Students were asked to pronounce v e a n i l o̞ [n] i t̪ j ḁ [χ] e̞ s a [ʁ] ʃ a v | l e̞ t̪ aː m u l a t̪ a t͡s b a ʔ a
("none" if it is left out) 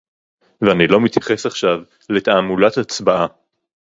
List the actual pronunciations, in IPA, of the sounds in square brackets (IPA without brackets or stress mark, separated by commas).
m, χ, χ